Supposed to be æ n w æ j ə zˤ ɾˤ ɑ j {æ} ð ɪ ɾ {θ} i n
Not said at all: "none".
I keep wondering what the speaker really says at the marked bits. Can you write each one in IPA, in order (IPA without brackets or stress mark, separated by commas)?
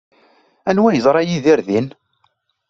i, ð